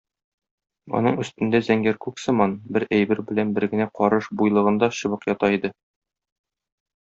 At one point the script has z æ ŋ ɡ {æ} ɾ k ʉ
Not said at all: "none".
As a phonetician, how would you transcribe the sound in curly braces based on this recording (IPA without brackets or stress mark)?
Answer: æ